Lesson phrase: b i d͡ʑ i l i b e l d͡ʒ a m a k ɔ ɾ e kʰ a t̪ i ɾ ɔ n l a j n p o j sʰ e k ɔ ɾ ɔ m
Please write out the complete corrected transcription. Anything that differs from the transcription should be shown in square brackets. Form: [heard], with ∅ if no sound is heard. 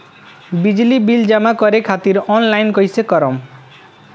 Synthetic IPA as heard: b i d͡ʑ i l i b [i] l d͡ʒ a m a k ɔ ɾ e kʰ a t̪ i ɾ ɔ n l a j n [k] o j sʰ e k ɔ ɾ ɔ m